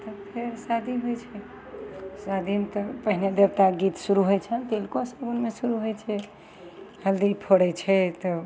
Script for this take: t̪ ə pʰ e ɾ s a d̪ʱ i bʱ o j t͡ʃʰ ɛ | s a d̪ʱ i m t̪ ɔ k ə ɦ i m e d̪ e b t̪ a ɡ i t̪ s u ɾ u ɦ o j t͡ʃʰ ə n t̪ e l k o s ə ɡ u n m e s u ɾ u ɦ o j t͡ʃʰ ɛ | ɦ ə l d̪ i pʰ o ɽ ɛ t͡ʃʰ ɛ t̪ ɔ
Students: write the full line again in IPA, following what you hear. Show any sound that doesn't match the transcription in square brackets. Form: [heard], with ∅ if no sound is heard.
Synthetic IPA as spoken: t̪ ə pʰ e ɾ s a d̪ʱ i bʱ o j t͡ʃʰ ɛ | s a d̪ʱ i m t̪ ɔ [p] ə ɦ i [n] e d̪ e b t̪ a ɡ i t̪ s u ɾ u ɦ o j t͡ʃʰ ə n t̪ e l k o s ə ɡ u n m e s u ɾ u ɦ o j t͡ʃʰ ɛ | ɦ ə l d̪ i pʰ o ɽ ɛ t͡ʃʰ ɛ t̪ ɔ